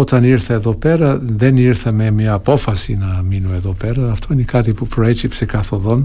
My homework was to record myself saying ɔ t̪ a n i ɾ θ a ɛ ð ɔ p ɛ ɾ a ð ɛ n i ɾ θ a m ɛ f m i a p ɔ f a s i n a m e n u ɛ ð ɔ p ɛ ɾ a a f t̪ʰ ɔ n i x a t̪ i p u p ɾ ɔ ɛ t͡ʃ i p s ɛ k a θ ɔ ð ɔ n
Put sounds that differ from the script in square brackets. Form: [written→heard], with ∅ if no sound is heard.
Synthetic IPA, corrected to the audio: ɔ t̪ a n i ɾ θ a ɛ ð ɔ p ɛ ɾ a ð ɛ n i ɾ θ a m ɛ [f→∅] m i a p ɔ f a s i n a m [e→i] n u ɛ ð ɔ p ɛ ɾ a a f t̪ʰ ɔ n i [x→k] a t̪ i p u p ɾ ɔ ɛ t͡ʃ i p s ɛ k a θ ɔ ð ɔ n